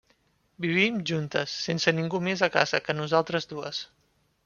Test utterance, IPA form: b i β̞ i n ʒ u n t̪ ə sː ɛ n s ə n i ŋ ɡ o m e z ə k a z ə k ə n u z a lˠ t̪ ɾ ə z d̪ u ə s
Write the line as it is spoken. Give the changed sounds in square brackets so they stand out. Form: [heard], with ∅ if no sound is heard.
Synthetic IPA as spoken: b i β̞ i [m] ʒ u n t̪ ə sː [e] n s ə n i ŋ ɡ [u] m e z ə k a z ə k ə n u z a lˠ t̪ ɾ ə z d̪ u ə s